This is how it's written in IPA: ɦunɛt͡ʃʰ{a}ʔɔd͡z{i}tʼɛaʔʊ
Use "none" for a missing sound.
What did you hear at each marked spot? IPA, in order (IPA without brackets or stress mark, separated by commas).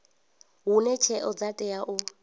ɛ, a